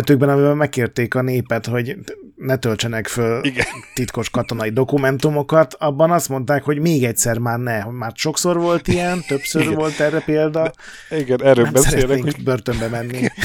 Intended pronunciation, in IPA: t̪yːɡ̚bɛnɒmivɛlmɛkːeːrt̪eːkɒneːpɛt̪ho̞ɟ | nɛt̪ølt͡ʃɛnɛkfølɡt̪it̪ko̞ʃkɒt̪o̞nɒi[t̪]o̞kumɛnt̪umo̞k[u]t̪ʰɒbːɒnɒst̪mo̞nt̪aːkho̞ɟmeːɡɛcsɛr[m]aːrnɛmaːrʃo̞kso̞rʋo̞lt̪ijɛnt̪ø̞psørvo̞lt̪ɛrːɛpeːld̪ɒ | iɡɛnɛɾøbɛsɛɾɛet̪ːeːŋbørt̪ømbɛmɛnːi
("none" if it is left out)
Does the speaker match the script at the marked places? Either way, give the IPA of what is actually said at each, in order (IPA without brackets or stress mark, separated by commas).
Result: d̪, ɒ, m